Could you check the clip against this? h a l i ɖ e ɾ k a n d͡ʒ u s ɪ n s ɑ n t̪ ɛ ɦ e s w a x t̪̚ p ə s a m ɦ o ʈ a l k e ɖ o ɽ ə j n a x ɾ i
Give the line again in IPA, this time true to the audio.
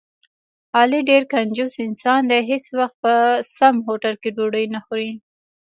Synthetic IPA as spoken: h ɑ l i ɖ e ɾ k a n d͡ʒ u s ɪ n s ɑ n d̪ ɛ ɦ e s w a x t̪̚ p ə s a m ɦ o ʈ a l k e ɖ o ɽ ə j n a x ɾ i